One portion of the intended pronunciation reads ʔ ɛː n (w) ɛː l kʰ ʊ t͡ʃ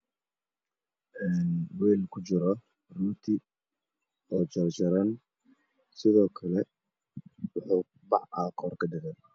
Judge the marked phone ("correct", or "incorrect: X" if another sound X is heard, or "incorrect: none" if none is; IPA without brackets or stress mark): correct